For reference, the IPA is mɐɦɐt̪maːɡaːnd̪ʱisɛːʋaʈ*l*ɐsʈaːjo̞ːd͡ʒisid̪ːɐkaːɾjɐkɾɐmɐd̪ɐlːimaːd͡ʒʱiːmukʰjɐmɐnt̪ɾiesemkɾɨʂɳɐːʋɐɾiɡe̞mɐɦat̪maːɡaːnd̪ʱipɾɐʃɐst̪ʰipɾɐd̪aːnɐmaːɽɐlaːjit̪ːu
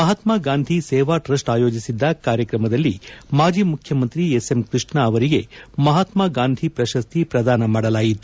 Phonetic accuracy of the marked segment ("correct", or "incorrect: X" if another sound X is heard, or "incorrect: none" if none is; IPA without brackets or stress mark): incorrect: ɾ